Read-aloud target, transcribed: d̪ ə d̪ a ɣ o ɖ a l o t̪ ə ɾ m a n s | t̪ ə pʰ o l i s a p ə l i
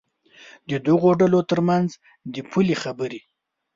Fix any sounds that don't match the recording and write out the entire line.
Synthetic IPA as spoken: d̪ ə d̪ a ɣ o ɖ a l o t̪ ə ɾ m a n z | d̪ ə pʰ u l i x a b ə ɾ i